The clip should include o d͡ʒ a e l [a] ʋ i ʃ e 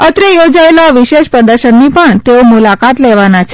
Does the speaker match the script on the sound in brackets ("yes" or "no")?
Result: yes